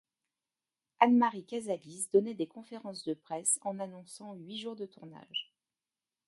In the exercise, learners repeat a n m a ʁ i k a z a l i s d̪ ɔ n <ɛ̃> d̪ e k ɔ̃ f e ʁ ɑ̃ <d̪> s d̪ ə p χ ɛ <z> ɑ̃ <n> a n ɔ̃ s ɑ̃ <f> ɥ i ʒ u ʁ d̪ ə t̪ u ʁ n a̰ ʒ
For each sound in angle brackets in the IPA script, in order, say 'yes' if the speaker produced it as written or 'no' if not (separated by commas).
no, no, no, yes, no